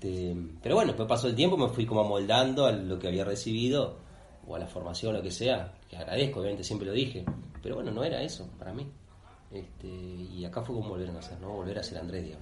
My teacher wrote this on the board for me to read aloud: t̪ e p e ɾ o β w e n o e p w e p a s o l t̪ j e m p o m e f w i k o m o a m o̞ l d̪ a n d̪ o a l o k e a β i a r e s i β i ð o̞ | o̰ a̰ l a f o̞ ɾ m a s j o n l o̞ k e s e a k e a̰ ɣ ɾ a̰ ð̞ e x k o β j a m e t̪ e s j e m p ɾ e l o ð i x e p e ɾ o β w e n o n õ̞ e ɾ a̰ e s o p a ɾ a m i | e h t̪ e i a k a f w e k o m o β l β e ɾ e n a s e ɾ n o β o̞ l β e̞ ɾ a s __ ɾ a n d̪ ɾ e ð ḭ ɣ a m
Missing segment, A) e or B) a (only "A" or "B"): A